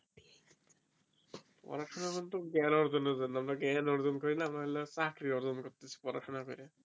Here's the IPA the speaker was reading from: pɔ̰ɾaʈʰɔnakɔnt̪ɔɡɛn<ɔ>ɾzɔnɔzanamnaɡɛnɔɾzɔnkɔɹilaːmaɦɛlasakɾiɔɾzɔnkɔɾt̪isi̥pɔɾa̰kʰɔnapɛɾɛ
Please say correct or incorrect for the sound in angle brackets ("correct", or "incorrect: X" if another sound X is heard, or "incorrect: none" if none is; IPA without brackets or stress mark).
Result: correct